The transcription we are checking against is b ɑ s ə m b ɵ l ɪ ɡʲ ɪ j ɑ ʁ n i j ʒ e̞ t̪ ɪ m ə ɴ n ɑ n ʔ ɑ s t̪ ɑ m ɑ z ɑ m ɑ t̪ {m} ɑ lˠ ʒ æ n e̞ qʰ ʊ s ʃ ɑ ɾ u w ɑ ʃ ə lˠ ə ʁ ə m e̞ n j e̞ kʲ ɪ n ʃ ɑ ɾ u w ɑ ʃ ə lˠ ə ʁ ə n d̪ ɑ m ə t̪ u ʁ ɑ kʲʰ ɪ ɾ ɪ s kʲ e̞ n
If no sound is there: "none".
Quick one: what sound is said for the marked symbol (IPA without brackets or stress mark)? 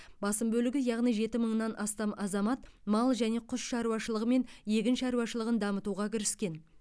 m